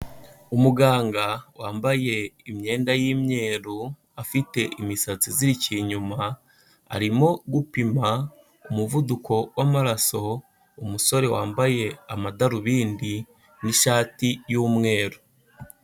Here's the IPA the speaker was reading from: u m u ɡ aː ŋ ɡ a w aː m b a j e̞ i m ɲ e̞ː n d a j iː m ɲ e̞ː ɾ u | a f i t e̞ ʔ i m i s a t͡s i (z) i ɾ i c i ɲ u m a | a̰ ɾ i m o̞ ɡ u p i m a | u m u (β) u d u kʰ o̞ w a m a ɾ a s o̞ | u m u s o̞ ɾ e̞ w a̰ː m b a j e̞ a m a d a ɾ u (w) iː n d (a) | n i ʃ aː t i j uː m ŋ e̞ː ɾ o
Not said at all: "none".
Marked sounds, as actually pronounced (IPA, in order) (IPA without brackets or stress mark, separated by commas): z, v, β, i